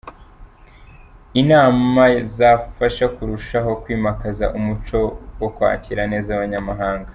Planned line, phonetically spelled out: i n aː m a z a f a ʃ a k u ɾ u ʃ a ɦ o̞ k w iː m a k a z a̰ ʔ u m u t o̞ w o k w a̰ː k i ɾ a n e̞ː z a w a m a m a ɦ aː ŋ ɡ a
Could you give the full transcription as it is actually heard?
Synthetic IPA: i n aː m a z a f a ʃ a k u ɾ u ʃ a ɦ o̞ k w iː m a k a z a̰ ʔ u m u t͡ʃ o̞ w o k w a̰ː c i ɾ a n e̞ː z a β a ɲ a m a ɦ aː ŋ ɡ a